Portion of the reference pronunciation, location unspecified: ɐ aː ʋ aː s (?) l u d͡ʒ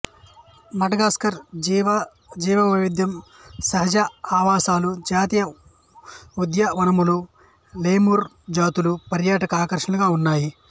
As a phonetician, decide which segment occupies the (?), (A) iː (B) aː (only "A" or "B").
B